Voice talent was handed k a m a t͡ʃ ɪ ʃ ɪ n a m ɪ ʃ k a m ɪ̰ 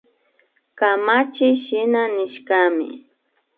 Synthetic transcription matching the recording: k a m a t͡ʃ ɪ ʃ ɪ n a n ɪ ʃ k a m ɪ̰